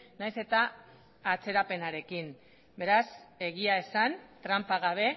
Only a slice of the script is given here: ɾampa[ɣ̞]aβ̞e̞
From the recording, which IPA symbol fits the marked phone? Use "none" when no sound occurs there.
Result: ɣ̞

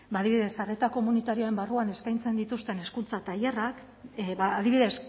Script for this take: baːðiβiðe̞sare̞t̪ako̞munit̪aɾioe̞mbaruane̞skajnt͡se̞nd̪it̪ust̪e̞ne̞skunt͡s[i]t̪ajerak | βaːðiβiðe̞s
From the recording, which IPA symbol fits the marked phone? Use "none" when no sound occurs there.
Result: a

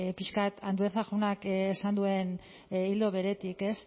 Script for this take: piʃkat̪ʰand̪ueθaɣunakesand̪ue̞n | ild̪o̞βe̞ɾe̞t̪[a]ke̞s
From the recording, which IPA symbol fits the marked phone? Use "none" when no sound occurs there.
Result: i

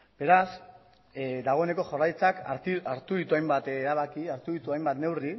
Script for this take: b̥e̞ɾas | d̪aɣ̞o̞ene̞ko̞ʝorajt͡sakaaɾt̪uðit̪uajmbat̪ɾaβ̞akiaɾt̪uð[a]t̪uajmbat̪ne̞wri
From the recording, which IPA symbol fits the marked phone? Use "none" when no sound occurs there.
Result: i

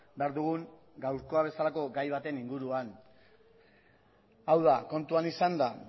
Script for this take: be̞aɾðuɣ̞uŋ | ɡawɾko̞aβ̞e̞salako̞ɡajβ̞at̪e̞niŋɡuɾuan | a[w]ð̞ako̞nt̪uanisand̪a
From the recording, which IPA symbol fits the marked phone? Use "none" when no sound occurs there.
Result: w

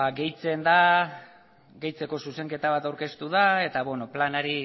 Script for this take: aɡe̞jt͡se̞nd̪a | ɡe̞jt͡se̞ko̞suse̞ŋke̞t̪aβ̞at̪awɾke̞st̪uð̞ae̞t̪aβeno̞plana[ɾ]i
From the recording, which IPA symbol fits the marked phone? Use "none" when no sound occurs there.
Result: ɾ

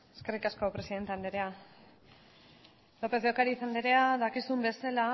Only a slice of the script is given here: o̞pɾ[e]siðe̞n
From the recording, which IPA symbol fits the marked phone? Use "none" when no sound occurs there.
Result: e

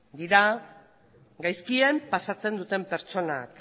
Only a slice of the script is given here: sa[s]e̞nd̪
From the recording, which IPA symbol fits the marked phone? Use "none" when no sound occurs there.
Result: t͡s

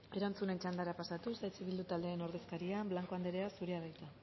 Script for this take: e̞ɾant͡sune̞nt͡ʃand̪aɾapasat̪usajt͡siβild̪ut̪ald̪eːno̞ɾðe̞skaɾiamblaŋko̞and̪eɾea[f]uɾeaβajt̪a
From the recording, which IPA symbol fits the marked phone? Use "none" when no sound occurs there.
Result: s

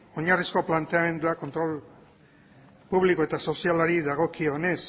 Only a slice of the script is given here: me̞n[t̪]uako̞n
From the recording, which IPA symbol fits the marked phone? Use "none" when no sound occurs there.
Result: d̪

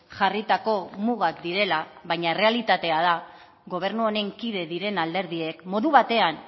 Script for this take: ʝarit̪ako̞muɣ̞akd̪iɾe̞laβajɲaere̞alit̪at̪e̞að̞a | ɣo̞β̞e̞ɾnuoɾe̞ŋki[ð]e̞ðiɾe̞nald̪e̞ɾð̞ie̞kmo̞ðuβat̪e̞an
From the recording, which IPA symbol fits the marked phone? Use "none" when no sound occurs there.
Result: ð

